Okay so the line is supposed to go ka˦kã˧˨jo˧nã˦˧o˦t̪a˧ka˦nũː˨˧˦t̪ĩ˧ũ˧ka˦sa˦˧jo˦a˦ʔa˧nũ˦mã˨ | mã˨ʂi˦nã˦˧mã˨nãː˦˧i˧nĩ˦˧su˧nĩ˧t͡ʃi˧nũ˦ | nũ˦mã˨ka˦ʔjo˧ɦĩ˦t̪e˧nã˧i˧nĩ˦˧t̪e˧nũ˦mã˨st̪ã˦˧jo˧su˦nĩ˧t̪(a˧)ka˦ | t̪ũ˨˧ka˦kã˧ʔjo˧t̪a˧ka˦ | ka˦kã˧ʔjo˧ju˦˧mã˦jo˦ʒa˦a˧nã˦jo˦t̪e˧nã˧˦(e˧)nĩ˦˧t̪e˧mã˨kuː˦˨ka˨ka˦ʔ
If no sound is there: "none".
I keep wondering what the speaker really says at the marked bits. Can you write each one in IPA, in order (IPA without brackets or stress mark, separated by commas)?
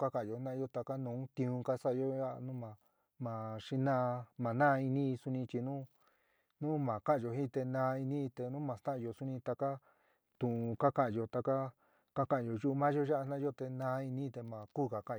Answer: a˧, i˧